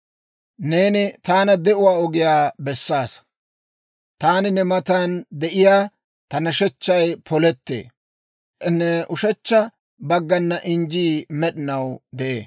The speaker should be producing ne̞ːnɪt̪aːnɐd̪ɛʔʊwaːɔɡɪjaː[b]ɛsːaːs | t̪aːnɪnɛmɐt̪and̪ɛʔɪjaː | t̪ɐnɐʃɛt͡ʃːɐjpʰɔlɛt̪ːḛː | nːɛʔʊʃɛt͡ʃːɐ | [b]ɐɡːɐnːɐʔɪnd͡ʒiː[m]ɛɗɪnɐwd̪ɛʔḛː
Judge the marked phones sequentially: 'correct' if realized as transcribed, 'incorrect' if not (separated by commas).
correct, correct, correct